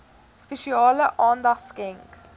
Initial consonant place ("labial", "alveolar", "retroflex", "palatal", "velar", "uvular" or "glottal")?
alveolar